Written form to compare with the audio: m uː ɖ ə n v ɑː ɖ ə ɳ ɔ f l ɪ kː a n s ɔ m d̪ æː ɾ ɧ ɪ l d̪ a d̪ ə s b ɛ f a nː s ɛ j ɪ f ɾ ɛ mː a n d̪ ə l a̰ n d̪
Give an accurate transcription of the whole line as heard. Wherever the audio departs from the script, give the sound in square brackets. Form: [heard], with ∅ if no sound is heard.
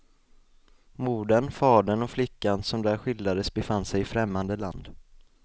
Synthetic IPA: m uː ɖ ə n [f] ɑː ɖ ə ɳ ɔ f l ɪ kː a n s ɔ m d̪ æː ɾ ɧ ɪ l d̪ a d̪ ə s b ɛ f a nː s ɛ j ɪ f ɾ ɛ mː a n d̪ ə l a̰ n d̪